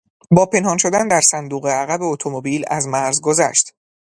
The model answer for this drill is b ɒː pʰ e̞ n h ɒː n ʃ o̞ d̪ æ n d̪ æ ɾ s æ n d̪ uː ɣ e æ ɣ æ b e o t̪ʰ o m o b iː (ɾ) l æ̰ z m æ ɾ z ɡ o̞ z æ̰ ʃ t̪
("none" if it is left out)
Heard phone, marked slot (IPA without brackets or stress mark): none